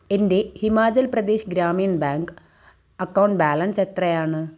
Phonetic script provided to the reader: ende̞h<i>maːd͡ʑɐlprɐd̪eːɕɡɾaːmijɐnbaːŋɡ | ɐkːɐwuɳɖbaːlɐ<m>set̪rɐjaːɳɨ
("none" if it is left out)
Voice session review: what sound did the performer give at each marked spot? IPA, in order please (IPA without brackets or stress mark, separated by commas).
i, n